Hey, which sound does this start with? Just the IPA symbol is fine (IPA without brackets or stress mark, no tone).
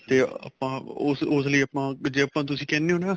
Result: t̪